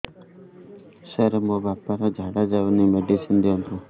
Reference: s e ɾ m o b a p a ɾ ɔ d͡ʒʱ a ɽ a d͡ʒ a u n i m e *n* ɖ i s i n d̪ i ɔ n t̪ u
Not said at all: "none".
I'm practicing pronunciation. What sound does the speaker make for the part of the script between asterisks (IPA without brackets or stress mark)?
none